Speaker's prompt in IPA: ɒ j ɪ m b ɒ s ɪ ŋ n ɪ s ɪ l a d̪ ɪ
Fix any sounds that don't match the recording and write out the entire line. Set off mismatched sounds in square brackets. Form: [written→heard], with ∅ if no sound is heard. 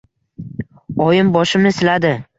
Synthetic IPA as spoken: ɒ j ɪ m b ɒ [s→ʃ] ɪ [ŋ→m] n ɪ s ɪ l a d̪ ɪ